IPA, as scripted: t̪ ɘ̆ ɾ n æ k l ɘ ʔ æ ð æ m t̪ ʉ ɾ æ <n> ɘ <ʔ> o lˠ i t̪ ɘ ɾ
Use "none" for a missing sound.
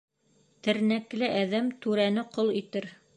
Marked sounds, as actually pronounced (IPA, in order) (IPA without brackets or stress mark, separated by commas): n, q